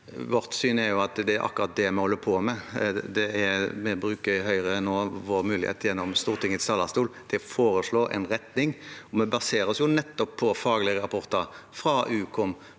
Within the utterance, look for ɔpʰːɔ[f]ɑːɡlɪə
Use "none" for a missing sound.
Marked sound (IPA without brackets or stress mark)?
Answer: f